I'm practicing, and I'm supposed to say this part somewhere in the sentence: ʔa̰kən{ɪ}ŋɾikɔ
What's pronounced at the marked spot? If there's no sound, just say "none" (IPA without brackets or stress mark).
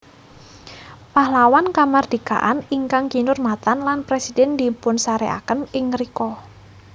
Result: ɪ